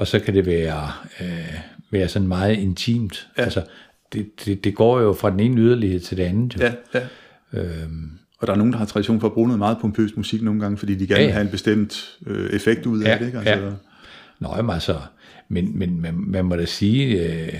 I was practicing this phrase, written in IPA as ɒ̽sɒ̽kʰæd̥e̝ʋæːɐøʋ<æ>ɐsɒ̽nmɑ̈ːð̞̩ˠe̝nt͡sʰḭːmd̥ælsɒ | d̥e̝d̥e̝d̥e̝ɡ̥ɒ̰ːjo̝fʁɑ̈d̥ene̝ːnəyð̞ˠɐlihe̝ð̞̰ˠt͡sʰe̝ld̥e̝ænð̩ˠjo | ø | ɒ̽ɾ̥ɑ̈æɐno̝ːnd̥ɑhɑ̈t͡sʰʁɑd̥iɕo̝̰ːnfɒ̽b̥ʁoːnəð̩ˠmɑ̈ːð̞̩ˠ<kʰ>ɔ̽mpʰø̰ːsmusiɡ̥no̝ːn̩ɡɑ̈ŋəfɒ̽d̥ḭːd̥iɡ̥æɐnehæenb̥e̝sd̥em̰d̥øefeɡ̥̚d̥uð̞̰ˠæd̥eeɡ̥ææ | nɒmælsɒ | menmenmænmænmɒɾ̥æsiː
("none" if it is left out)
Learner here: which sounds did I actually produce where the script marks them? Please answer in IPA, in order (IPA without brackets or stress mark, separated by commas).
æː, pʰ